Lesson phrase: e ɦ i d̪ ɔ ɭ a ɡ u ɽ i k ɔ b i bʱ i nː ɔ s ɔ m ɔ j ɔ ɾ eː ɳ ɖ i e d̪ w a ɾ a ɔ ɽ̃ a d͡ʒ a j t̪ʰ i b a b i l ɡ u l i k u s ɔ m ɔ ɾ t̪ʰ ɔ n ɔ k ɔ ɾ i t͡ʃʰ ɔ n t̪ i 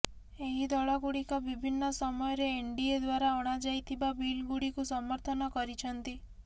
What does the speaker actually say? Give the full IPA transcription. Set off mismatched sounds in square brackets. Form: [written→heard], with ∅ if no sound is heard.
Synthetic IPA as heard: e ɦ i d̪ ɔ ɭ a ɡ u ɽ i k ɔ b i bʱ i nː ɔ s ɔ m ɔ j ɔ ɾ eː ɳ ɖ i e d̪ w a ɾ a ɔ ɽ̃ a d͡ʒ a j t̪ʰ i b a b i l ɡ u [l→ɽ] i k u s ɔ m ɔ ɾ t̪ʰ ɔ n ɔ k ɔ ɾ i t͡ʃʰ ɔ n t̪ i